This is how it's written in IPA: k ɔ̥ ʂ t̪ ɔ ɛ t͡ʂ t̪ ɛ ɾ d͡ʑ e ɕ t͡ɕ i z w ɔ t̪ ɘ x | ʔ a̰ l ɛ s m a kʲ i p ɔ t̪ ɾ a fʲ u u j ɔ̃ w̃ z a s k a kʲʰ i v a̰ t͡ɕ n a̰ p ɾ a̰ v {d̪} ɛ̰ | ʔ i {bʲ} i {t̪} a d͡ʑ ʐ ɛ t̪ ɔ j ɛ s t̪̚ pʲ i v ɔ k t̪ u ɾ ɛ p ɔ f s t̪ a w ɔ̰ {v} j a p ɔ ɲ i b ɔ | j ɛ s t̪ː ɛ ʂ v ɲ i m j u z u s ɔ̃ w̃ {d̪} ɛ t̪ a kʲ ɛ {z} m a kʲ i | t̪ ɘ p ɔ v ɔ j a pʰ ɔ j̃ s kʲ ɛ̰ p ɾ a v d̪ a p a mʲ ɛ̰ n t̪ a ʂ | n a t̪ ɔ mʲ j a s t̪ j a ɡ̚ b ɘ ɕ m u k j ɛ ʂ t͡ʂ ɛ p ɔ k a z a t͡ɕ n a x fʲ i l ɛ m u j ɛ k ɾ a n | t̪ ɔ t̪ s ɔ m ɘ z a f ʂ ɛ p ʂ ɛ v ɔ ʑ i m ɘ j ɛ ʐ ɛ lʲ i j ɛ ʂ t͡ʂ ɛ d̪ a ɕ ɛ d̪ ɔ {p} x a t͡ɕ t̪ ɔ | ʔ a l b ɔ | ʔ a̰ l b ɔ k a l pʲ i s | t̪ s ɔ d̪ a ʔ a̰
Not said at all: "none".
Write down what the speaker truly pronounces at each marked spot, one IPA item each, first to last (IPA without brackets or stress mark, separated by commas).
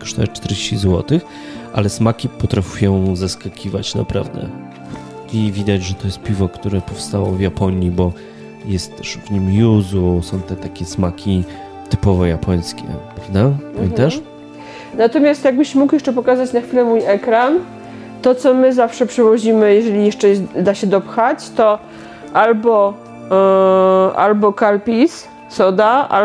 d̪, vʲ, d̪, v, t̪, s, p